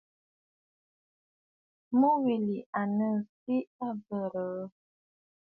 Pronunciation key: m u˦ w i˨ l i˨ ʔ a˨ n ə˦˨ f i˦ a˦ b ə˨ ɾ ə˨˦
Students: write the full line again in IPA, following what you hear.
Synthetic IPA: m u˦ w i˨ l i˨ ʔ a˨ n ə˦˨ s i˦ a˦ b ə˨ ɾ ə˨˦